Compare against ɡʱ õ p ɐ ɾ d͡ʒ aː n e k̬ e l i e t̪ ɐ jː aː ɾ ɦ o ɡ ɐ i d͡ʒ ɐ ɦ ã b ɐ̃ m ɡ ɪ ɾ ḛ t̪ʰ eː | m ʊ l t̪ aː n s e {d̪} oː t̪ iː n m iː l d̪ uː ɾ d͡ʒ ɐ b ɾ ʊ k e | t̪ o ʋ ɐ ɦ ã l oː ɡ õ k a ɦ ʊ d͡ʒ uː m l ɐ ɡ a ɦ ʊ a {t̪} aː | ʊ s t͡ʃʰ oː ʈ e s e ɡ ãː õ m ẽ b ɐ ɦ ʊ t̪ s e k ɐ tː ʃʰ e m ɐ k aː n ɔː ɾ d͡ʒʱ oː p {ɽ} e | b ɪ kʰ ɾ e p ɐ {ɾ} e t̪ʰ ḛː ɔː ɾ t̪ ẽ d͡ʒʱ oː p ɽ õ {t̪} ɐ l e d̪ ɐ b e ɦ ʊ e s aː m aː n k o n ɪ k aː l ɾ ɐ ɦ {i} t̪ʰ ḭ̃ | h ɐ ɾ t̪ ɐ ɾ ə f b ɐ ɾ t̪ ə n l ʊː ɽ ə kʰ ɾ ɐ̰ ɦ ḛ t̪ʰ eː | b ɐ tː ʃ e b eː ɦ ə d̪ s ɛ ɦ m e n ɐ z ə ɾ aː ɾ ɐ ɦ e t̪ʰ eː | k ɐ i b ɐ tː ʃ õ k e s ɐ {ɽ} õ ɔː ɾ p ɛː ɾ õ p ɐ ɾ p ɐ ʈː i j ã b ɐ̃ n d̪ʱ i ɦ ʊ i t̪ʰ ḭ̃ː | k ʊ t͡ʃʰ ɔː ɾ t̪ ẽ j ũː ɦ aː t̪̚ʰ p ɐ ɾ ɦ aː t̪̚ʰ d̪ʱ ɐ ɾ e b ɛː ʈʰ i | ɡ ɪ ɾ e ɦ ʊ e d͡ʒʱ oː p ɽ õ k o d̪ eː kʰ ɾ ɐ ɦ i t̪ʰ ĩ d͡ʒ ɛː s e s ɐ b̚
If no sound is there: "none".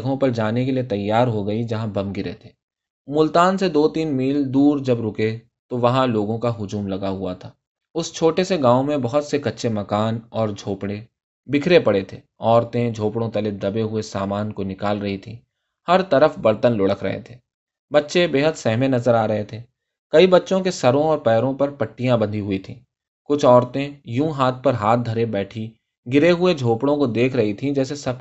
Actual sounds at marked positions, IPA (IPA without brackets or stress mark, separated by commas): d̪, t̪ʰ, ɽ, ɽ, t̪, i, ɾ